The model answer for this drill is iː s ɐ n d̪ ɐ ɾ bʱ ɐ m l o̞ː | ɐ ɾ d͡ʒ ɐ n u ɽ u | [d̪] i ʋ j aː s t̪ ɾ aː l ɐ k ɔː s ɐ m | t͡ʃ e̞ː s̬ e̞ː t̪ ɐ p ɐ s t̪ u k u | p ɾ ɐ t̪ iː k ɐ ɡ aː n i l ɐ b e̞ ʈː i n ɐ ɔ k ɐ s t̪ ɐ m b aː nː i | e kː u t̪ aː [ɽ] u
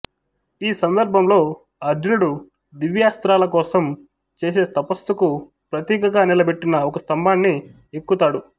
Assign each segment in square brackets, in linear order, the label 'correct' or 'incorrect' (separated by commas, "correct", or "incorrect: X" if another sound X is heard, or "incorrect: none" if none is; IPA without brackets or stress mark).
correct, correct